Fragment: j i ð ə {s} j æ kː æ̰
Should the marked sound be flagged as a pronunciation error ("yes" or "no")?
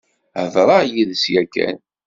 no